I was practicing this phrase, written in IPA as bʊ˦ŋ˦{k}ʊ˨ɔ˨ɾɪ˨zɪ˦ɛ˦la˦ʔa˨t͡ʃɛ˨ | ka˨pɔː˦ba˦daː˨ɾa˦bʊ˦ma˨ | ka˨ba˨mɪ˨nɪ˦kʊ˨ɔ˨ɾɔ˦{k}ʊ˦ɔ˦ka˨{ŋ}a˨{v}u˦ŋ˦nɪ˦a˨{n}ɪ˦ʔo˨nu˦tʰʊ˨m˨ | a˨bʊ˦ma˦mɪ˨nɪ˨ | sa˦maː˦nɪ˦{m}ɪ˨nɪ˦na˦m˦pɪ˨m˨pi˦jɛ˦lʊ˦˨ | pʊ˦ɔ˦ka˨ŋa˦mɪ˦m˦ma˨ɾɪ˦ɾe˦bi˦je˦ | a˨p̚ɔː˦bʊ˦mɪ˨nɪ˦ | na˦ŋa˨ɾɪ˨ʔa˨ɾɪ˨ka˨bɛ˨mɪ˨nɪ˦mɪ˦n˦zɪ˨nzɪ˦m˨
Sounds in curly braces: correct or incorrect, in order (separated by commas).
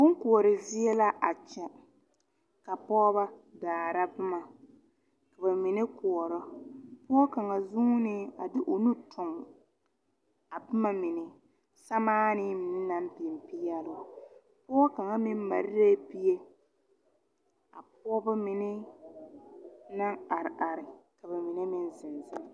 correct, incorrect, correct, incorrect, incorrect, correct